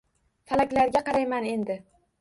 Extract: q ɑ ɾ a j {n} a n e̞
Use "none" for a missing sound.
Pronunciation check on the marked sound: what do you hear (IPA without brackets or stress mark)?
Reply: m